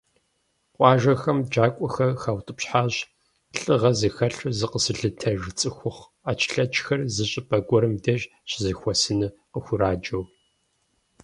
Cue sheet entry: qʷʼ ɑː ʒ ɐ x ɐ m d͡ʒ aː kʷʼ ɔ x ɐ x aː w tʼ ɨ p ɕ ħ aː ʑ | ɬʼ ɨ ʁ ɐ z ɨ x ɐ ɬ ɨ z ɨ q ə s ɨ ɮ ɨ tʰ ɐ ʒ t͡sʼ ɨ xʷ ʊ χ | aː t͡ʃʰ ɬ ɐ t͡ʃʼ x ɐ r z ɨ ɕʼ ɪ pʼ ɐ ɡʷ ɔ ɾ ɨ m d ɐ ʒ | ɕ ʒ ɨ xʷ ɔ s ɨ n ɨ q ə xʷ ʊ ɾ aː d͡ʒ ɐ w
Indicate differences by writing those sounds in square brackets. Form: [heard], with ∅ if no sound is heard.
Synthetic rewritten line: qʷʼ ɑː ʒ ɐ x ɐ m d͡ʒ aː kʷʼ ɔ x ɐ x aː w tʼ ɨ p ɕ ħ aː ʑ | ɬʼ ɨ ʁ ɐ z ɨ x ɐ ɬ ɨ z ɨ q ə s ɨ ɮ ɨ tʰ ɐ ʒ t͡sʼ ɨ xʷ ʊ χ | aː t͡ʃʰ ɬ ɐ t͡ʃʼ x ɐ r z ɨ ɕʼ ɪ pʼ ɐ ɡʷ ɔ ɾ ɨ m d ɐ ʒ | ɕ [z] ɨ xʷ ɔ s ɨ n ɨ q ə xʷ ʊ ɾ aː d͡ʒ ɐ w